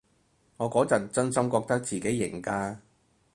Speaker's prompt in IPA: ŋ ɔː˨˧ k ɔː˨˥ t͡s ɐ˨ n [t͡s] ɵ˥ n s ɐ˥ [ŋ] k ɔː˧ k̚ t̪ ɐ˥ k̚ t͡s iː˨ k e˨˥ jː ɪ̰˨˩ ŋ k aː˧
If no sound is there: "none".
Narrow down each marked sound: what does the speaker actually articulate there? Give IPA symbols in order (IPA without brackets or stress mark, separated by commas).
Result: t͡s, m